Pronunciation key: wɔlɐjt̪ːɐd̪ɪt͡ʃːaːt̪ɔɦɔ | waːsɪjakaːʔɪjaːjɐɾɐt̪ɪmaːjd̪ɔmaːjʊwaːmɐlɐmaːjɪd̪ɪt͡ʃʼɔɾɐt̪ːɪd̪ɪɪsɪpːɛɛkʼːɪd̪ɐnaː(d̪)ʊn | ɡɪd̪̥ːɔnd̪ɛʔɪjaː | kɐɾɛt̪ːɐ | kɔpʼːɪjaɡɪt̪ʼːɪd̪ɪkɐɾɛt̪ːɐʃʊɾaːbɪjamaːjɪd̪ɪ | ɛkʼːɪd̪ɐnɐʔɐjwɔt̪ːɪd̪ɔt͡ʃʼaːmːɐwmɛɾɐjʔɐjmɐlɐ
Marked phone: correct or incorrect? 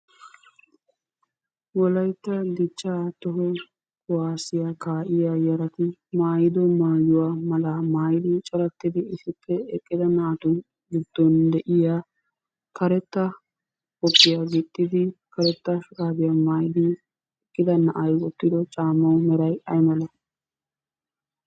incorrect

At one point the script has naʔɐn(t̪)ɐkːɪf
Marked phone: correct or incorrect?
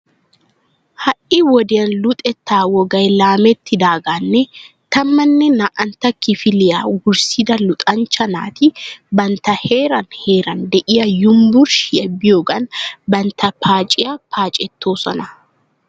correct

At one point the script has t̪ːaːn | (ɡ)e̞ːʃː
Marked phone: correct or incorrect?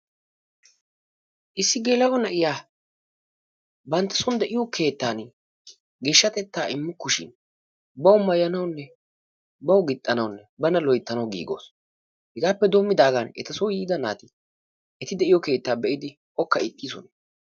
correct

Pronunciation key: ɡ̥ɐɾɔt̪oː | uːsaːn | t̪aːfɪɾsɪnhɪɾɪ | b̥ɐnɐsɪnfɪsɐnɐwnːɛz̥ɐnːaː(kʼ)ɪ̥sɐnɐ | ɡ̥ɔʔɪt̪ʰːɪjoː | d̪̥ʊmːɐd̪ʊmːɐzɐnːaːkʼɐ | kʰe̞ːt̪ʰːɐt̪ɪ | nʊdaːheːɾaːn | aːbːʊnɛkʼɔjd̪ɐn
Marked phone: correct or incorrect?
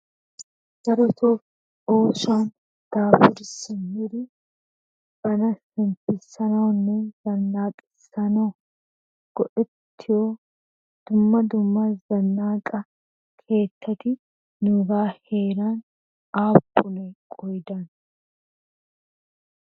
correct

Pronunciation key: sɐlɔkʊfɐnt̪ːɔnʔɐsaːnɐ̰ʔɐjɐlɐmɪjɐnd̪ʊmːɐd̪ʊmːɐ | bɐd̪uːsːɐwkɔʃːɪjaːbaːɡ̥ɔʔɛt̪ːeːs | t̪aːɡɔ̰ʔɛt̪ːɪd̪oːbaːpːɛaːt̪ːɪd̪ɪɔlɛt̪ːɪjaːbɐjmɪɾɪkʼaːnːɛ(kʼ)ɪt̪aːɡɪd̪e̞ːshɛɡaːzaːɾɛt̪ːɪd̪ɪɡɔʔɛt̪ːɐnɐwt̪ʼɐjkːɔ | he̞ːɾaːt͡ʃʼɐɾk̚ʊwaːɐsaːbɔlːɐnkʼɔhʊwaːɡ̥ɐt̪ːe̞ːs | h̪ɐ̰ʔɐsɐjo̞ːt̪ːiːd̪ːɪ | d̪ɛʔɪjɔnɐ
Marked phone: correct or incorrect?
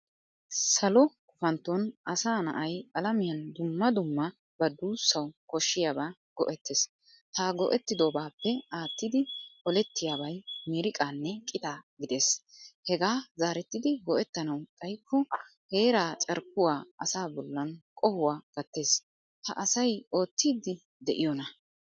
correct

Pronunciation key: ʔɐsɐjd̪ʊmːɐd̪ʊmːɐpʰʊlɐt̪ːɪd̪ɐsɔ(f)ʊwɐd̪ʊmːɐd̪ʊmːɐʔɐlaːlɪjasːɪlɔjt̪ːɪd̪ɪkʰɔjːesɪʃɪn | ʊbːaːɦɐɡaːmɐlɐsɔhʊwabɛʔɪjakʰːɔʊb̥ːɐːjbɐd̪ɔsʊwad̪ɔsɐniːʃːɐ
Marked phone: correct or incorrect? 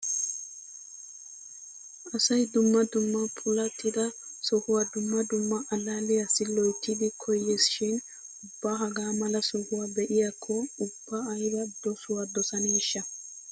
incorrect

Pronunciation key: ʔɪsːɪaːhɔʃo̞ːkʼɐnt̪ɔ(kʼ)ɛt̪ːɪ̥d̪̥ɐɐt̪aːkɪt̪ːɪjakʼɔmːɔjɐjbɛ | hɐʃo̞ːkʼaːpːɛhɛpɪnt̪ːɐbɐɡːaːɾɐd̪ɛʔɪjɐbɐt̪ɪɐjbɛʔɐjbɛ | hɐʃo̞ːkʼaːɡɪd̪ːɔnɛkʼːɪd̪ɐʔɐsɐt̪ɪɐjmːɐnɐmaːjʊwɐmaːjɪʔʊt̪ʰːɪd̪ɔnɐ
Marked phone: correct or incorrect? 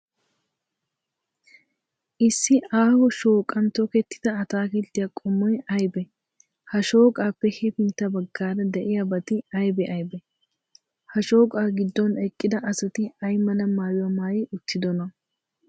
incorrect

